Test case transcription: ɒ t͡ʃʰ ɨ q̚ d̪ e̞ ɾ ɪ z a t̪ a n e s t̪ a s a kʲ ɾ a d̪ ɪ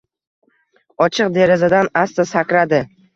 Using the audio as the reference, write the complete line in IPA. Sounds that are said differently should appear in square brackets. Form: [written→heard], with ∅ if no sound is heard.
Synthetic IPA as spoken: ɒ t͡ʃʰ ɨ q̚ d̪ e̞ ɾ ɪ z a [t̪→d̪] a n [e→a] s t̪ a s a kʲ ɾ a d̪ ɪ